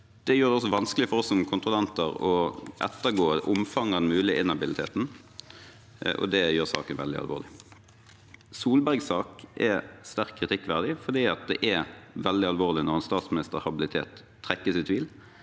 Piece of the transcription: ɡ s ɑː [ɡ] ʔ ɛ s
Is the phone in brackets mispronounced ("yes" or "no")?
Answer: yes